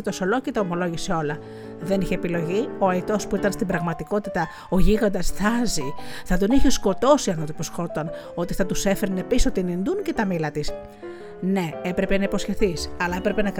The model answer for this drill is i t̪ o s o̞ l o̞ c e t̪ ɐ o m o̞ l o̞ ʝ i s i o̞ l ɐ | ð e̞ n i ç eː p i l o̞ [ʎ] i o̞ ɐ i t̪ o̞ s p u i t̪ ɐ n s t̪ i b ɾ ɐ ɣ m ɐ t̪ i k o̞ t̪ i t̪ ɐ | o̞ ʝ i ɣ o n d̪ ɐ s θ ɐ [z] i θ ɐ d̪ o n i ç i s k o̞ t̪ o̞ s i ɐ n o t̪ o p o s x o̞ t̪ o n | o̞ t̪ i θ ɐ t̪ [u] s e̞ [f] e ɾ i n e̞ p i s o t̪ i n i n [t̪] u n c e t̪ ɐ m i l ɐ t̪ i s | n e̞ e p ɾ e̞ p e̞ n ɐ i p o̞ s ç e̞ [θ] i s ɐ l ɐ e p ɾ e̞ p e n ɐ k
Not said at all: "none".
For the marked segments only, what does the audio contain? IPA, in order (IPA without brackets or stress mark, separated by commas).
ʝ, z, u, f, d̪, θ